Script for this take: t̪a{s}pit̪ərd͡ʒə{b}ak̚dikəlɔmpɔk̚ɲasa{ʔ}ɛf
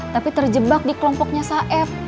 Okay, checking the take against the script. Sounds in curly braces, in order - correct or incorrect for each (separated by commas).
incorrect, correct, correct